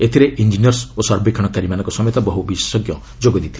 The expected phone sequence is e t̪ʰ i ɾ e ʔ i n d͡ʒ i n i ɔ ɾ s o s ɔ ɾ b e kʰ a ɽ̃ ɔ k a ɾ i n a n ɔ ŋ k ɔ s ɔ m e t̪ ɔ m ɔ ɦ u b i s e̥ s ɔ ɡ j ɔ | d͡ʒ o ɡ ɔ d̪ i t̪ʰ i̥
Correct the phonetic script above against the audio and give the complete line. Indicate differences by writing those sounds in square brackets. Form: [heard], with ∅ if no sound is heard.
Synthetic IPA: e t̪ʰ i ɾ e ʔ i n d͡ʒ i n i ɔ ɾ s o s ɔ ɾ b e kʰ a ɽ̃ ɔ k a ɾ i [m] a n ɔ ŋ k ɔ s ɔ m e t̪ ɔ [b] ɔ ɦ u b i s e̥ s ɔ ɡ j ɔ | d͡ʒ o ɡ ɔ d̪ i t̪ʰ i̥